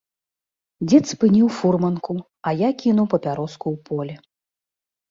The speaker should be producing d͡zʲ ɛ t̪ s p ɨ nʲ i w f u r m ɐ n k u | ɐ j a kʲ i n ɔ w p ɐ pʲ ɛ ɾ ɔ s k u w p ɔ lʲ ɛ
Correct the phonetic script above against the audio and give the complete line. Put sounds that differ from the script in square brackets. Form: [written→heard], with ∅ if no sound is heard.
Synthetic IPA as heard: d͡zʲ ɛ t̪ s p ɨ nʲ i w f u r m ɐ n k u | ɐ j a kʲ i n [ɔ→u] w p ɐ pʲ [ɛ→a] ɾ ɔ s k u w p ɔ lʲ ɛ